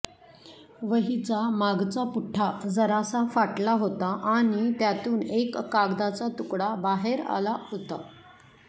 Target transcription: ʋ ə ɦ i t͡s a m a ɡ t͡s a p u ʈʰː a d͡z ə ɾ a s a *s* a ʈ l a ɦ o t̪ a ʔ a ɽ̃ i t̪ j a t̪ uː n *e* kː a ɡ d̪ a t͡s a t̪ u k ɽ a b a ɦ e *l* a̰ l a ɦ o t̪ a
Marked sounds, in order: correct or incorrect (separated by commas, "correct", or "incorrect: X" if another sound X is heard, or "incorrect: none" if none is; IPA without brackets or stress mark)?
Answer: incorrect: f, correct, incorrect: ɾ